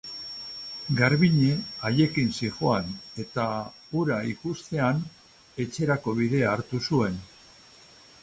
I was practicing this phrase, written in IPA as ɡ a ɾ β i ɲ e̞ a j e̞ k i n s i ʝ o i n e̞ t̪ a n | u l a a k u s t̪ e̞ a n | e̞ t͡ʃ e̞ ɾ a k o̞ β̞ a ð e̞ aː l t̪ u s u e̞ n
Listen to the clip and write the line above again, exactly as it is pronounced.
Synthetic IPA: ɡ a ɾ β i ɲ e̞ a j e̞ k i n s i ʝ o a n e̞ t̪ a | u ɾ a i k u s t̪ e̞ a n | e̞ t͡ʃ e̞ ɾ a k o̞ β̞ i ð e̞ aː ɾ t̪ u s u e̞ n